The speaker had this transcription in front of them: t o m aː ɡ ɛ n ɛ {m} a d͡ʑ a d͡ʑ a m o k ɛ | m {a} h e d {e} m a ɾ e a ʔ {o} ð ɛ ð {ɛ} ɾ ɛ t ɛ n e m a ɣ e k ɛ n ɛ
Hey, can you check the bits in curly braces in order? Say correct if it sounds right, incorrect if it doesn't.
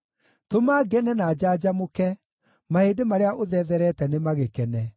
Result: incorrect: n, correct, correct, correct, correct

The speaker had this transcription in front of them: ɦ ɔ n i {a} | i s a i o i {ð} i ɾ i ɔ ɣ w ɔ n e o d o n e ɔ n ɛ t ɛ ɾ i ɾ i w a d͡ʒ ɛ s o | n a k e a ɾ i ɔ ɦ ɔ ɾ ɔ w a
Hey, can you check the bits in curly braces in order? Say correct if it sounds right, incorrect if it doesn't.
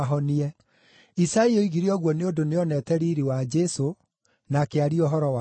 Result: incorrect: ɛ, incorrect: ɣ

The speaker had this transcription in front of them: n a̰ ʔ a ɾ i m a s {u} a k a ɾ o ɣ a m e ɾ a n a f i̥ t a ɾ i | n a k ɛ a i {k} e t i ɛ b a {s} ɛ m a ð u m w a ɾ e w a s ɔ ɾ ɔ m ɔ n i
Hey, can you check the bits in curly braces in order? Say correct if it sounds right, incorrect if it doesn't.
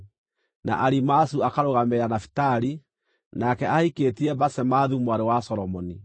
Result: correct, correct, correct

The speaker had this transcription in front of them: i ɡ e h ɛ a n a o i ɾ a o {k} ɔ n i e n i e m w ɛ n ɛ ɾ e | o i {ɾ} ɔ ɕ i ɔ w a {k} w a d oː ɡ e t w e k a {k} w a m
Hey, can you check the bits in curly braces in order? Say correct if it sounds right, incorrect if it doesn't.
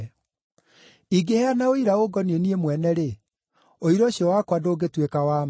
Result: incorrect: ɡ, correct, correct, incorrect: none

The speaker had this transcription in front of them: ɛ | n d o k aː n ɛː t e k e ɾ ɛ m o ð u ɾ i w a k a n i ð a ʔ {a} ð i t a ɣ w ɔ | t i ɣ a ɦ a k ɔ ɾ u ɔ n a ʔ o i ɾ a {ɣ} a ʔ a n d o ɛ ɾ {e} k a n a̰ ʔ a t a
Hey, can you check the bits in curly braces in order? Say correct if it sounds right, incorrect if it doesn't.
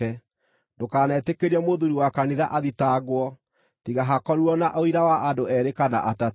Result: correct, incorrect: w, correct

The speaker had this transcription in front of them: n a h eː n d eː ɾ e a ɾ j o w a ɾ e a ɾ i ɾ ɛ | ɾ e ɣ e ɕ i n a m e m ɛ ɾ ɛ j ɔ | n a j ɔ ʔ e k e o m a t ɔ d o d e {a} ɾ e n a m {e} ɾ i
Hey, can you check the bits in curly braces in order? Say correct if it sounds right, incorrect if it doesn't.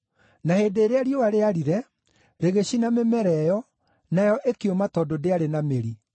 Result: correct, correct

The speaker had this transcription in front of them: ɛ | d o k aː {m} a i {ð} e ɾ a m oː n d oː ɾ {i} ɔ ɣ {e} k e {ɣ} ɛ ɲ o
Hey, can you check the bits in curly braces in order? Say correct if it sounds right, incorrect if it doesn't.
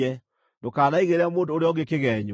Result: incorrect: n, incorrect: ɣ, incorrect: e, correct, correct

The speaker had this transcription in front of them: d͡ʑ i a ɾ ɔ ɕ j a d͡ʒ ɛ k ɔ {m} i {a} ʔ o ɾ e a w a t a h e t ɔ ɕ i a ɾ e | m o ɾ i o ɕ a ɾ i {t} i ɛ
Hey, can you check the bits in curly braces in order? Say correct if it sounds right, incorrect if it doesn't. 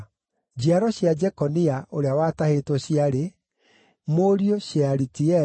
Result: incorrect: n, correct, correct

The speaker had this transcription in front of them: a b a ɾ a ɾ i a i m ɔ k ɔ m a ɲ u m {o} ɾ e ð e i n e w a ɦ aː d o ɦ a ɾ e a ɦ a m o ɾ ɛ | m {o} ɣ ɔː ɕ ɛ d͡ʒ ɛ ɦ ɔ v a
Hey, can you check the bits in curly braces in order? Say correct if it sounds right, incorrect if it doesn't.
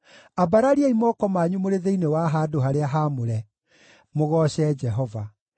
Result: correct, correct

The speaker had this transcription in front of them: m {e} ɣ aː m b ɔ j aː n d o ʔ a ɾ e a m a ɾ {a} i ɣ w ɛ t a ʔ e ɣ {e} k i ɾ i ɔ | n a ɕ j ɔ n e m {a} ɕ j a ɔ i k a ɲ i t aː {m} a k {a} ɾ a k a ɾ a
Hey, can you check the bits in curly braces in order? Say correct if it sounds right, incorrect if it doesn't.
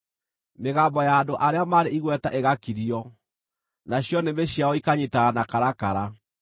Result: correct, incorrect: e, incorrect: a, incorrect: e, incorrect: n, correct

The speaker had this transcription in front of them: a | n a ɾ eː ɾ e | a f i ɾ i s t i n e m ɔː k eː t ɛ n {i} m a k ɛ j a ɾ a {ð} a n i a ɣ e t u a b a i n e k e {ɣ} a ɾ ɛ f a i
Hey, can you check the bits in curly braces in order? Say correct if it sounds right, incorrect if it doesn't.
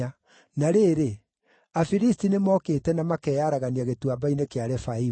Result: incorrect: a, incorrect: ɣ, incorrect: none

